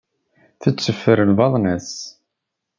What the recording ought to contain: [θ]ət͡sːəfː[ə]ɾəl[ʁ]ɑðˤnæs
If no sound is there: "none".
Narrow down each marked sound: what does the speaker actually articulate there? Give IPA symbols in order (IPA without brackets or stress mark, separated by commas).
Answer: θ, ə, v